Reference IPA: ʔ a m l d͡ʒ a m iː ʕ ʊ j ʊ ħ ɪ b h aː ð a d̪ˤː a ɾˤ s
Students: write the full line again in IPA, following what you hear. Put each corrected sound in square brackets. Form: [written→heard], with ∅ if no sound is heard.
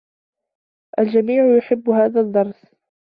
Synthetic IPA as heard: ʔ a [m→∅] l d͡ʒ a m iː ʕ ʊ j ʊ ħ ɪ [b→bː] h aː ð a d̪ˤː [a→ɑ] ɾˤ s